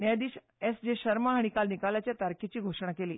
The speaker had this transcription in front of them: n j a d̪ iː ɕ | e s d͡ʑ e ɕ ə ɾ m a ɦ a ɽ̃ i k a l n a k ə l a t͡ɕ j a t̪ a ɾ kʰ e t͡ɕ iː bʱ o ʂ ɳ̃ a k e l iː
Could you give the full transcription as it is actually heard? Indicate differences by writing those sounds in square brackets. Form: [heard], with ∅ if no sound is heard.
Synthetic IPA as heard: n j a d̪ iː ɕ | e s d͡ʑ e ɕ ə ɾ m a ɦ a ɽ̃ i k a l n [i] k [a] l a t͡ɕ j a t̪ a ɾ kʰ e t͡ɕ iː [ɡʱ] o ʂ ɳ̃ a k e l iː

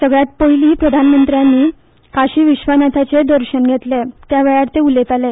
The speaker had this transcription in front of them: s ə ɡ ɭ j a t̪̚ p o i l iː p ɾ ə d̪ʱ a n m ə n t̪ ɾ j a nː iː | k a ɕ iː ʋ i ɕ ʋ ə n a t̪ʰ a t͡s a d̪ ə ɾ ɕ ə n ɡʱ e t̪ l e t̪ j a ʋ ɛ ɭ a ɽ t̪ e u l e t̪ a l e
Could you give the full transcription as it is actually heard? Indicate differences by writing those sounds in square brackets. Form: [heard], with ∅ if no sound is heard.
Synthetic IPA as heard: s ə ɡ ɭ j a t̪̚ p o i l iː p ɾ ə d̪ʱ a n m ə n t̪ ɾ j a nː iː | k a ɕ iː ʋ i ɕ ʋ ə n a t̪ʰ a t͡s [e] d̪ ə ɾ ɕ ə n ɡʱ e t̪ l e t̪ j a ʋ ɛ ɭ a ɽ t̪ e u l e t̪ a l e

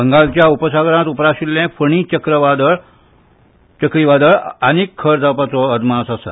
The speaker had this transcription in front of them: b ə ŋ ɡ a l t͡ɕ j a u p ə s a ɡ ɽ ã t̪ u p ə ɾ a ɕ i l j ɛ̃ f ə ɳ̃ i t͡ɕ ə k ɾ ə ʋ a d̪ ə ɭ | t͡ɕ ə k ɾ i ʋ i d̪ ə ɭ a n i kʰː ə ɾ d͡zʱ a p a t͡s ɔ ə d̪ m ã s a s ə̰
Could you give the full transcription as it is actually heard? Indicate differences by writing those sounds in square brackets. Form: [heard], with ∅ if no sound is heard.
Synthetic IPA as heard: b ə ŋ ɡ a l t͡ɕ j a u p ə s a ɡ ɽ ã t̪ u p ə ɾ a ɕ i l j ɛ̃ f ə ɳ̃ i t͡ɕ ə k ɾ ə ʋ a d̪ ə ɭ | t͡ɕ ə k ɾ i ʋ [a] d̪ ə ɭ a n i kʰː ə ɾ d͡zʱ a p a t͡s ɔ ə d̪ m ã s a s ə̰

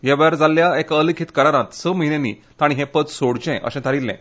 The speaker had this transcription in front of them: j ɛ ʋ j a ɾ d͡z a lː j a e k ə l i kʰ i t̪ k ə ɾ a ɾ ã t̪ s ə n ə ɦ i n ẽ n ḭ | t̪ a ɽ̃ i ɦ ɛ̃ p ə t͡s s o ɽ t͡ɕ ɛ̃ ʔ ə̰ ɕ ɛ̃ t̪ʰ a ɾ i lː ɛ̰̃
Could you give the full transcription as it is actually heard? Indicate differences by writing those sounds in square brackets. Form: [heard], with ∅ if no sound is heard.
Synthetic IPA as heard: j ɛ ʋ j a ɾ d͡z a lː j a e k ə l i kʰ i t̪ k ə ɾ a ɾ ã t̪ s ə [m] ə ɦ i n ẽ n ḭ | t̪ a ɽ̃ i ɦ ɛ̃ p ə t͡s s o ɽ t͡ɕ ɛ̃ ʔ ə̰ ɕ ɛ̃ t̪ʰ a ɾ i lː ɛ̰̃

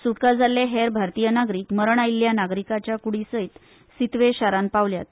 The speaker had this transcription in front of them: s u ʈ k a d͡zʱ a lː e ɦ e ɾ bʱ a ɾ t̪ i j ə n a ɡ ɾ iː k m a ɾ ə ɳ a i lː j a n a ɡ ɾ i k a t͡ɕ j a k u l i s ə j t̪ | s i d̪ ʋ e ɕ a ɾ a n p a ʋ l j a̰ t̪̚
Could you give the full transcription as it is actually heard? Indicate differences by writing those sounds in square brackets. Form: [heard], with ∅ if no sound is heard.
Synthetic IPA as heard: s u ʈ k a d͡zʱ a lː e ɦ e ɾ bʱ a ɾ t̪ i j ə n a ɡ ɾ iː k m [ə] ɾ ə ɳ a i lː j a n a ɡ ɾ i k a t͡ɕ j a k u [ɽ] i s ə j t̪ | s i [t̪] ʋ e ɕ a ɾ a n p a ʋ l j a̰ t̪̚

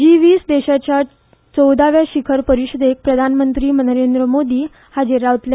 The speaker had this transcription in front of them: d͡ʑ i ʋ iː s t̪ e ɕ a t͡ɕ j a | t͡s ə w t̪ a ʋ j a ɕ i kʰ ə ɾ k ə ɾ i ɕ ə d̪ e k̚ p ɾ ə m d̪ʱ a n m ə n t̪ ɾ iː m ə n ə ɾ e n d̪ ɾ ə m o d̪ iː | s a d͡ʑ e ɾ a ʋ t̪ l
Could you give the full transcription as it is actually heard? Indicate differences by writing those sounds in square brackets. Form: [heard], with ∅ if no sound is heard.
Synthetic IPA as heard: d͡ʑ i ʋ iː s [d̪] e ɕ a t͡ɕ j a | t͡s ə w [d̪] a ʋ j a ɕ i kʰ ə ɾ [p] ə ɾ i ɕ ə d̪ e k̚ p ɾ ə [∅] d̪ʱ a n m ə n t̪ ɾ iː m ə n ə ɾ e n d̪ ɾ ə m o d̪ iː | [h] a d͡ʑ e ɾ a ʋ t̪ l

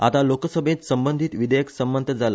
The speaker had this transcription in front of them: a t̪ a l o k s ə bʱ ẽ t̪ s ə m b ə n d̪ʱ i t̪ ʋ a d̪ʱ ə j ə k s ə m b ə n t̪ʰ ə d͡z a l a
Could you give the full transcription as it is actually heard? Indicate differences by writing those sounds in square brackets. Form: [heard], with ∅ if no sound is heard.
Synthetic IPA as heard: a t̪ a l o k s ə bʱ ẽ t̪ s ə m b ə n d̪ʱ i t̪ ʋ [i] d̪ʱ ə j ə k s ə m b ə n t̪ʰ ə d͡z a l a

